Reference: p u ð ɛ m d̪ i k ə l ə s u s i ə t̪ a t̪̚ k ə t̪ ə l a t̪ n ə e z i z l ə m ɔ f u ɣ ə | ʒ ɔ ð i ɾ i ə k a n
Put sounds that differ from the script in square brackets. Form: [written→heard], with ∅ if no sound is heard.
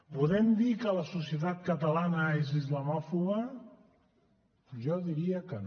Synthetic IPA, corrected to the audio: p u ð ɛ m d̪ i k ə l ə s u s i ə t̪ a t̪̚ k ə t̪ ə l a [t̪→∅] n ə e z i z l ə m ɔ f u ɣ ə | ʒ ɔ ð i ɾ i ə k [a→ə] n